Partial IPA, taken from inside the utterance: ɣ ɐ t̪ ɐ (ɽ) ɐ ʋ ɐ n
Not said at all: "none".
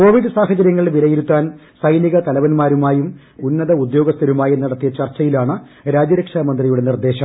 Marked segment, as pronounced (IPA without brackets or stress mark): l